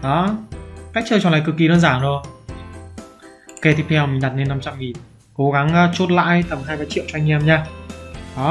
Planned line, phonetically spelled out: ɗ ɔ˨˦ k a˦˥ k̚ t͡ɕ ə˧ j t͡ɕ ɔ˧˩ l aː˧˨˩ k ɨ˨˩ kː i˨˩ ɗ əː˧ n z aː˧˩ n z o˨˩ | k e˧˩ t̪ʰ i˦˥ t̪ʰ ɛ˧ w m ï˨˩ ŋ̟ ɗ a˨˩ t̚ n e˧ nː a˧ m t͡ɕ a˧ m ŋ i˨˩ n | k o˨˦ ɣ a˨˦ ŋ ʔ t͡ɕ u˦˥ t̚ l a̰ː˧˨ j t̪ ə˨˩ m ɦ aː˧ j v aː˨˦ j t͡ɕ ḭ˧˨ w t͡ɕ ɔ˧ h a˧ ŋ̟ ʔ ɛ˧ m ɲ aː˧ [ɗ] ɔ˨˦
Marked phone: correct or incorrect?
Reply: correct